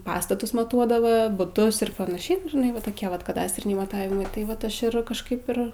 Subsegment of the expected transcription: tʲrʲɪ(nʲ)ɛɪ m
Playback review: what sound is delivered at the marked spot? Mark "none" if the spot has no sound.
nʲ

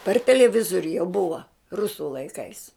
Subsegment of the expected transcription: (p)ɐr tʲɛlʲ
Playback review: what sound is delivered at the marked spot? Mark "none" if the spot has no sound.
p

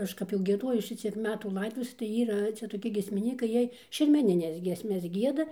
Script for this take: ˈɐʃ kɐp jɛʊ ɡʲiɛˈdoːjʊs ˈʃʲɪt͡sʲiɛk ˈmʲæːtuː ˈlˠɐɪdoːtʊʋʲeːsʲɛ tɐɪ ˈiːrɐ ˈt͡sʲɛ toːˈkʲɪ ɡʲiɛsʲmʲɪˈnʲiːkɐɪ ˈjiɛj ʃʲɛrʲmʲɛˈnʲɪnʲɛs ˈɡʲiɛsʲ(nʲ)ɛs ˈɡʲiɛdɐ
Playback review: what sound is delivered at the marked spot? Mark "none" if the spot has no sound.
mʲ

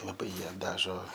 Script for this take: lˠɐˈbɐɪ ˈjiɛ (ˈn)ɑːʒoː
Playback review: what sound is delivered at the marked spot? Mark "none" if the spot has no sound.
d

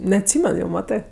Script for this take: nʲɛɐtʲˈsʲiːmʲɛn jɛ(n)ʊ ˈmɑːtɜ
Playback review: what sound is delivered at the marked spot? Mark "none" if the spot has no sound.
none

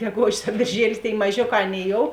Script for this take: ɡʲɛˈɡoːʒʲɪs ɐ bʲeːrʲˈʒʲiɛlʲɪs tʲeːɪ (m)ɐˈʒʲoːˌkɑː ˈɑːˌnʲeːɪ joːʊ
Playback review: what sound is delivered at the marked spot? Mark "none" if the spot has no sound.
m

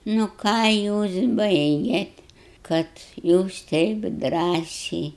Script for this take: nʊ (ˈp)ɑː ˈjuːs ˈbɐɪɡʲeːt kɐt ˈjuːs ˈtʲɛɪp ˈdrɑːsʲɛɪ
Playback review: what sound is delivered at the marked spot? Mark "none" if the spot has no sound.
k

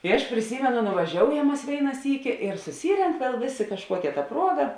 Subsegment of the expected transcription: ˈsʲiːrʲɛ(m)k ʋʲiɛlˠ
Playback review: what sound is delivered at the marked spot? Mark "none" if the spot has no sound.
ŋ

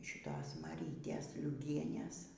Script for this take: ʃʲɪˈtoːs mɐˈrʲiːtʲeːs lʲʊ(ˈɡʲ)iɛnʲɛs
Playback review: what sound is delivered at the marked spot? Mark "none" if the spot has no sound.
ɡʲ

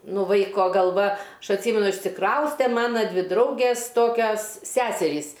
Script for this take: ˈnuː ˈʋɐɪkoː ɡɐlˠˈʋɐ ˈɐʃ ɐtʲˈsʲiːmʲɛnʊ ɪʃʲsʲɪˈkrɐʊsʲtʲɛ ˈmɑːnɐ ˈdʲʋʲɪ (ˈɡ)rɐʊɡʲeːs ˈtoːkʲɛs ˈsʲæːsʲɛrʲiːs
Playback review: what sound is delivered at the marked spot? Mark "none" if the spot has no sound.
d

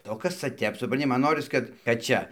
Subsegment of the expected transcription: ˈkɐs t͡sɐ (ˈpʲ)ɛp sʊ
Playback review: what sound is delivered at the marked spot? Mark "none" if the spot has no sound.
tʲ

